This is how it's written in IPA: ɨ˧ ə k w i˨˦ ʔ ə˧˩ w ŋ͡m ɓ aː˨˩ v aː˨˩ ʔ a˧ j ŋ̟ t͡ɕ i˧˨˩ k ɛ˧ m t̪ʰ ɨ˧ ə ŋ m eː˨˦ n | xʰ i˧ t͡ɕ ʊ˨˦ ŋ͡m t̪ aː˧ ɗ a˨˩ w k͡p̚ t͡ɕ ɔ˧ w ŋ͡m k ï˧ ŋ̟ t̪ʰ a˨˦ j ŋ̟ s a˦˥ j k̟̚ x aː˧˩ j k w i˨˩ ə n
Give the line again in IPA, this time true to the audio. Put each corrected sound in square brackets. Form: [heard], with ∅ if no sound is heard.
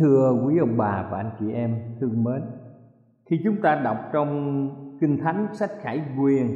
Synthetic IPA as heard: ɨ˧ ə k w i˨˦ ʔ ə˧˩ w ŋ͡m ɓ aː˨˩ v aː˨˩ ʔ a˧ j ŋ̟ t͡ɕ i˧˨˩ [ʔ] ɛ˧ m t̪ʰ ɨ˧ ə ŋ m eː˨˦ n | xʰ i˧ t͡ɕ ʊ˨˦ ŋ͡m t̪ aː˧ ɗ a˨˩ w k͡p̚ t͡ɕ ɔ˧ w ŋ͡m k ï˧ ŋ̟ t̪ʰ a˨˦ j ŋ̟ s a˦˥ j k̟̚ x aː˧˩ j k w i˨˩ ə n